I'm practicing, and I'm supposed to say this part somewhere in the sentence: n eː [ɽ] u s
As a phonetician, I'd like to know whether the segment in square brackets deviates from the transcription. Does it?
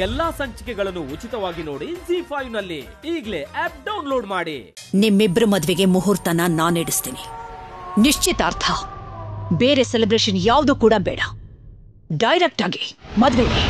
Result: no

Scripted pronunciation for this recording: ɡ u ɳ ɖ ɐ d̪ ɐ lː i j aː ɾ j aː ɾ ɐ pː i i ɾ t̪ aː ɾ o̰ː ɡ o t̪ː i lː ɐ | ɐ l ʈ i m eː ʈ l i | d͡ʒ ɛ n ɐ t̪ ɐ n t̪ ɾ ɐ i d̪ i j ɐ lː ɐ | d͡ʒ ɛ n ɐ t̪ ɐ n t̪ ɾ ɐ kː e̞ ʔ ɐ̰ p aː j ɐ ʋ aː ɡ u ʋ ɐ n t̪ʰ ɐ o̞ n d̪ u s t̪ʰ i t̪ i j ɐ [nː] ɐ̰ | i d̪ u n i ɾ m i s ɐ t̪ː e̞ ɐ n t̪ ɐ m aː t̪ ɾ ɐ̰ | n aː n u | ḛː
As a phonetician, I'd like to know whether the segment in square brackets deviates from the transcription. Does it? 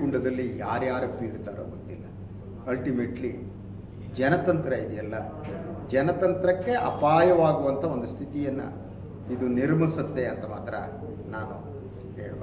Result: no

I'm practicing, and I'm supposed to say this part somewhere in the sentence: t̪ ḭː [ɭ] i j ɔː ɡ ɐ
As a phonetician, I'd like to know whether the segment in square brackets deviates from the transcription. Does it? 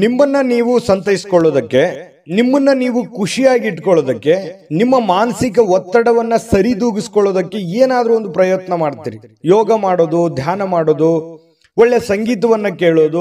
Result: yes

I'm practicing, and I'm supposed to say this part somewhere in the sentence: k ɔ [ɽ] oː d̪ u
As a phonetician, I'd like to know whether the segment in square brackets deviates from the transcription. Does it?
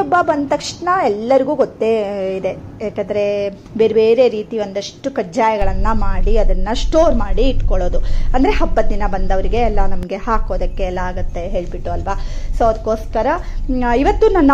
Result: yes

